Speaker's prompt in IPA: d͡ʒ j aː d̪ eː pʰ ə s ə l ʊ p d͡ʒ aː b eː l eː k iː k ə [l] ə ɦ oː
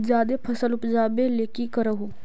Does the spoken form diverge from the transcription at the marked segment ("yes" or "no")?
yes